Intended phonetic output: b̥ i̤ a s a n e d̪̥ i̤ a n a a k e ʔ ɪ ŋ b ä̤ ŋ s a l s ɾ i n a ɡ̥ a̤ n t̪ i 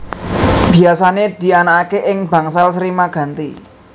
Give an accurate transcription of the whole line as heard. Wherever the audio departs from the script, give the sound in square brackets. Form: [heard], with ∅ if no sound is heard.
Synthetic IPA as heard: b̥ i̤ a s a n e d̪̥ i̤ a n a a k e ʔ ɪ ŋ b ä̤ ŋ s a l s ɾ i [m] a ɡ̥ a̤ n t̪ i